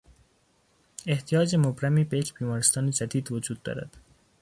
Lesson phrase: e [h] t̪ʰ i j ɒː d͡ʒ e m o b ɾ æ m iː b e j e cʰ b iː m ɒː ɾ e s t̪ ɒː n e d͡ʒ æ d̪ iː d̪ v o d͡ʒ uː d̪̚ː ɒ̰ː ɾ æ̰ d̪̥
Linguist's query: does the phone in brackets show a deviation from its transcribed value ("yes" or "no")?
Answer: no